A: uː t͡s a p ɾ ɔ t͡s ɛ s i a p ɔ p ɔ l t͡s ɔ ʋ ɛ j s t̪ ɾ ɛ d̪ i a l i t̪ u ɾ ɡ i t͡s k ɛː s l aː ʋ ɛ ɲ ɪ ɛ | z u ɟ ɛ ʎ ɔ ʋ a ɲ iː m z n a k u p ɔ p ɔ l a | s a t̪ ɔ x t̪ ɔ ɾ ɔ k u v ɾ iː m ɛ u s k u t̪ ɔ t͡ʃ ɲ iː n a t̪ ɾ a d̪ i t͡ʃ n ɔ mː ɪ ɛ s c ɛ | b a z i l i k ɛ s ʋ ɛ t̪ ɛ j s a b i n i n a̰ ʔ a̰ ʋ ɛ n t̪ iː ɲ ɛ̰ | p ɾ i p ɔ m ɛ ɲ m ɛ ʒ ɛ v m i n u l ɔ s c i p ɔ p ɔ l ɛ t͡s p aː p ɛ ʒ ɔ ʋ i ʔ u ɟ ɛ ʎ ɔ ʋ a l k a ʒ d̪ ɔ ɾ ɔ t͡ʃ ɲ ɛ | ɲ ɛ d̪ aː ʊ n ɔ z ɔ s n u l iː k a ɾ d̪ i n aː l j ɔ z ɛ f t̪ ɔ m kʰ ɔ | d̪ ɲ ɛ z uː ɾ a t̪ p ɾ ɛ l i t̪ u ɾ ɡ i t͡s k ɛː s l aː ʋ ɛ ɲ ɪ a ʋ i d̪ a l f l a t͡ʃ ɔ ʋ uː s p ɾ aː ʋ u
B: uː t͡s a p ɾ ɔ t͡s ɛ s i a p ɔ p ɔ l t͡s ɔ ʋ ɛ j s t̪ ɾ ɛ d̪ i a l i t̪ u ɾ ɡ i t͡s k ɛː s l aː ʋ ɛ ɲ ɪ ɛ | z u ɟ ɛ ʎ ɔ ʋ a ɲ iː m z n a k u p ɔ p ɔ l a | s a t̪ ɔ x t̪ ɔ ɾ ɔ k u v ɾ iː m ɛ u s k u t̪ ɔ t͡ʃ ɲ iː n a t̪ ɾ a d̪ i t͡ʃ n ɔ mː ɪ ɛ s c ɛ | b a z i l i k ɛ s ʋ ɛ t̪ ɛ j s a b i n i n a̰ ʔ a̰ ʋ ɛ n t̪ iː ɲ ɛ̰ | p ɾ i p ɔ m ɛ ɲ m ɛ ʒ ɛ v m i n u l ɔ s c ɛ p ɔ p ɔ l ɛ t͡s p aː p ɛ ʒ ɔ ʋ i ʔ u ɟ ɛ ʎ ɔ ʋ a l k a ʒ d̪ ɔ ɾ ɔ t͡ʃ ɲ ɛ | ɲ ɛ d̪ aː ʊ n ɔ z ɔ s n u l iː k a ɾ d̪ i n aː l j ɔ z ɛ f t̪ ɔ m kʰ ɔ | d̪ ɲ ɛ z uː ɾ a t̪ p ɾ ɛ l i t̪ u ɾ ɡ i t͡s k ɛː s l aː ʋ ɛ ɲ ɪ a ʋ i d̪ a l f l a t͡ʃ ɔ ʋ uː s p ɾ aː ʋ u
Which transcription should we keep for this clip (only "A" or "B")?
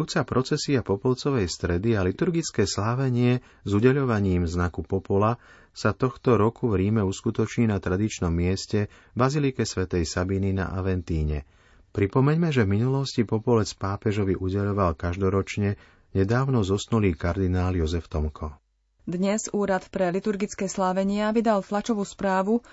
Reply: A